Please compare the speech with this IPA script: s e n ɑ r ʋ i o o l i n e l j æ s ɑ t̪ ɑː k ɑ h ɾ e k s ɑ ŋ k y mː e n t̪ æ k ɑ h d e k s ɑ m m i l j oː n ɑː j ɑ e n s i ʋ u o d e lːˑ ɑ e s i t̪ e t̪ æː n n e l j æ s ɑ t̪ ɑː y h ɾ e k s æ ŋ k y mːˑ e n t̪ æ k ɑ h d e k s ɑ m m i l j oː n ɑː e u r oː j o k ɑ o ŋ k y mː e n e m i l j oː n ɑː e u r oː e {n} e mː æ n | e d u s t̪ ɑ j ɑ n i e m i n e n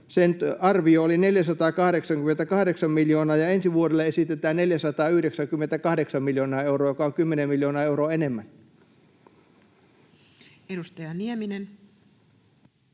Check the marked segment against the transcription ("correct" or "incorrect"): correct